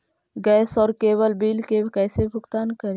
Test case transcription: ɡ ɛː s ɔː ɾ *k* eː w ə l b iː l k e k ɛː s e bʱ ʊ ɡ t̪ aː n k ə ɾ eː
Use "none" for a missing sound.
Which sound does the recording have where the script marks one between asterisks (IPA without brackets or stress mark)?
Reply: k